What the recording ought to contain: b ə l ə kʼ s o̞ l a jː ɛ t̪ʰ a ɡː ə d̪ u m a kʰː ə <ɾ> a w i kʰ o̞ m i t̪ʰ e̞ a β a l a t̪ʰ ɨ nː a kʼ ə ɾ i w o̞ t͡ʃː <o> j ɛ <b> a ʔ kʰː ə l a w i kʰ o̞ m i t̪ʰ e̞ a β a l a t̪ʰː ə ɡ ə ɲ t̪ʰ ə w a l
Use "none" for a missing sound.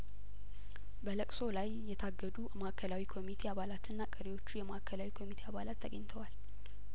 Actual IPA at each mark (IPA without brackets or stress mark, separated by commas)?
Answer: l, u, m